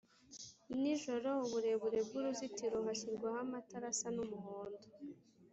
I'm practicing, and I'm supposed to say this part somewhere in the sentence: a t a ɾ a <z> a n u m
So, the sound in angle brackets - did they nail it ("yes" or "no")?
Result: no